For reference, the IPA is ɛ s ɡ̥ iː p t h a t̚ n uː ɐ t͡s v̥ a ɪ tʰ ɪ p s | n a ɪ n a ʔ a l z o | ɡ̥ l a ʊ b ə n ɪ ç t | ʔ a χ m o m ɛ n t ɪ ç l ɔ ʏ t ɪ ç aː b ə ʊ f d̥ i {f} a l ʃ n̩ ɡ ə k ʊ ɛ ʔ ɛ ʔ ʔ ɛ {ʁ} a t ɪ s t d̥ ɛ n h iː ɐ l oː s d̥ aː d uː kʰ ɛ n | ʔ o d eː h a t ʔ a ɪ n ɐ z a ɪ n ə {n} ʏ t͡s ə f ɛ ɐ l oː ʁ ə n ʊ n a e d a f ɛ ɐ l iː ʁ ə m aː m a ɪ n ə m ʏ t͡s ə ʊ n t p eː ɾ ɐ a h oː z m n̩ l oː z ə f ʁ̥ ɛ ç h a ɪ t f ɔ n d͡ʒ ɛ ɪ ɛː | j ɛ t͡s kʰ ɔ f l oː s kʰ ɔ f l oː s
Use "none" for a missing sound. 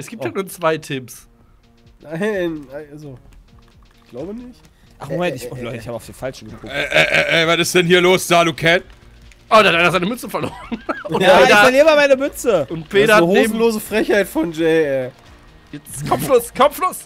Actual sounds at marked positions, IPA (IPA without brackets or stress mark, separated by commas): f, v, m